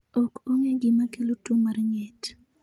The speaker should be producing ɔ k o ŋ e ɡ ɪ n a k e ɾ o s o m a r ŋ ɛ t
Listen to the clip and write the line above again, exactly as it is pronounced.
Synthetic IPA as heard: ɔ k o ŋ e ɡ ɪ m a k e l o t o m a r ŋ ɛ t